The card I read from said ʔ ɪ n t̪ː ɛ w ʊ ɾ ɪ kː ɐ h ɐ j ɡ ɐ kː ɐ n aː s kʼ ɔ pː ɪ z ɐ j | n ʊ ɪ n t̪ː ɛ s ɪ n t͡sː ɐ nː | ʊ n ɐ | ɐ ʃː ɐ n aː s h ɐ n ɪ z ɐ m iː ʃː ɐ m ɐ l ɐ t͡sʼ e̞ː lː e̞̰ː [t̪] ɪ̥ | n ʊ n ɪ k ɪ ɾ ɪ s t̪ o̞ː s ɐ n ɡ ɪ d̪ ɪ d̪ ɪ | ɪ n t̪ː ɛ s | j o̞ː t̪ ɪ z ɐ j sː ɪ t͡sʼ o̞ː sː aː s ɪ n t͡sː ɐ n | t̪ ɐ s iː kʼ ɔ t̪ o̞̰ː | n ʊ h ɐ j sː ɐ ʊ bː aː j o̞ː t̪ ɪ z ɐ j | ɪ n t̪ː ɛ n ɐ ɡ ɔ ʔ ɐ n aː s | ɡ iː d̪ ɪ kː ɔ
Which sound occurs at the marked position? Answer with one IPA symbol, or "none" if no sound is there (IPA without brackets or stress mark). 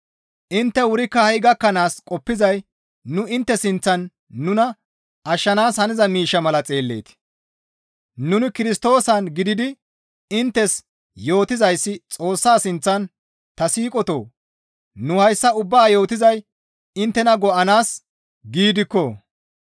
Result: t̪